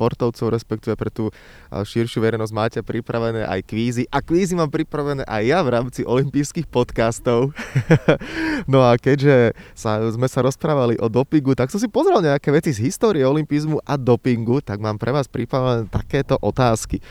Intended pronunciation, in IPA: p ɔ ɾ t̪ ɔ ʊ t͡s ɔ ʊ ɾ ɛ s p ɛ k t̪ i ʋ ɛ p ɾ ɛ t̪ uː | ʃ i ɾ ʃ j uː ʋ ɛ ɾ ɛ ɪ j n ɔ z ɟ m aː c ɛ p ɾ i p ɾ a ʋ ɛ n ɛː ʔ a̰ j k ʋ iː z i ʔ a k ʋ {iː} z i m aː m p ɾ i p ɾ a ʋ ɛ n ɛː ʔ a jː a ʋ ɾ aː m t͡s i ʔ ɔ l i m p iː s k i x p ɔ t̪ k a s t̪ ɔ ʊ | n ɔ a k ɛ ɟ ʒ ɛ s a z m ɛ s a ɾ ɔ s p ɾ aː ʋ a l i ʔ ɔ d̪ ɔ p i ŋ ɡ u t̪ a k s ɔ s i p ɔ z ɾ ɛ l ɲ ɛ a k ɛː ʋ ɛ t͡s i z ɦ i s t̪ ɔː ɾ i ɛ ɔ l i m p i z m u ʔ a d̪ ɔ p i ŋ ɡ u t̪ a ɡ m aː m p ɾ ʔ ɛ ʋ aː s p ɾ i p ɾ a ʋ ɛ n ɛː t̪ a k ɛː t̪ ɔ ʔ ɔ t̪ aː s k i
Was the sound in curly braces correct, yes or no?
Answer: yes